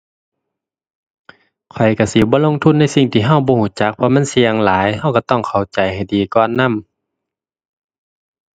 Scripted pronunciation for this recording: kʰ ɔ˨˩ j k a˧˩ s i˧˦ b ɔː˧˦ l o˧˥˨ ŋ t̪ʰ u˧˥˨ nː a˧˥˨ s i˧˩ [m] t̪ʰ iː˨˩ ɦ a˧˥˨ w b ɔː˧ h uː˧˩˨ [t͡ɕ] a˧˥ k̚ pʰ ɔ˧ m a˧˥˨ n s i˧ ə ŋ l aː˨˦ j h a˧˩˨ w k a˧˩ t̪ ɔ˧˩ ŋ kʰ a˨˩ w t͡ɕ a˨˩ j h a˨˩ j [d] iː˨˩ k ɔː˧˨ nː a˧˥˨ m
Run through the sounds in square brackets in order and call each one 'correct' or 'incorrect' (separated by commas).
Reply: incorrect, correct, correct